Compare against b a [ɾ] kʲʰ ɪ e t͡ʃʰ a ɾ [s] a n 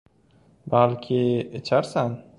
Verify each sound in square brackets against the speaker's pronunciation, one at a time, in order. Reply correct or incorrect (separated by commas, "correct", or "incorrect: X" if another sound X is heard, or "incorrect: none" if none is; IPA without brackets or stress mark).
incorrect: l, correct